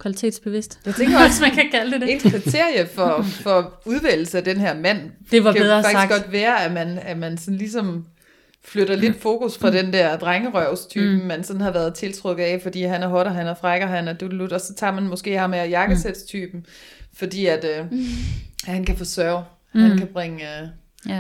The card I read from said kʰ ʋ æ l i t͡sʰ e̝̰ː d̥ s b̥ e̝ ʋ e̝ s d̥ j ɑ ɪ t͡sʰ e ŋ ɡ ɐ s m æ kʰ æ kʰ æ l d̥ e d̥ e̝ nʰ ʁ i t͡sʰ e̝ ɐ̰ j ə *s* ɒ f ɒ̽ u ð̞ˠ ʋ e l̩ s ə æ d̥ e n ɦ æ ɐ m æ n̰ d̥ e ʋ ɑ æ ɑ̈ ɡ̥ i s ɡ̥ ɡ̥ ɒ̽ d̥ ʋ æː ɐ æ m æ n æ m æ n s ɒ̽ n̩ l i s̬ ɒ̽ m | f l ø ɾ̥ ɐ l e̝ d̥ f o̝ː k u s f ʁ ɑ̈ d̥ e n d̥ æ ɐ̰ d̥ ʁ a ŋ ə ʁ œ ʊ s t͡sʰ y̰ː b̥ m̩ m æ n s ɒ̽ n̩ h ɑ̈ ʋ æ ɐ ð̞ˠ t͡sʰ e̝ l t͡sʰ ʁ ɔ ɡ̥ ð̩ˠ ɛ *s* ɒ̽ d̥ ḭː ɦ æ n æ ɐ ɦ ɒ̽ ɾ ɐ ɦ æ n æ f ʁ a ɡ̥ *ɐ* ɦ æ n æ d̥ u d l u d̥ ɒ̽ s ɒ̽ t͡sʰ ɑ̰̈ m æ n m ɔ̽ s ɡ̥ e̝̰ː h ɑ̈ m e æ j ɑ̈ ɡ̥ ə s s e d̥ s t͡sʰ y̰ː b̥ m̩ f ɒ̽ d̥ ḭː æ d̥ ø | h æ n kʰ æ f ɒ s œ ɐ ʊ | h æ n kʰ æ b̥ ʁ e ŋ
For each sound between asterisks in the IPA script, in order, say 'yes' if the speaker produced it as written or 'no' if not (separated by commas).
no, no, yes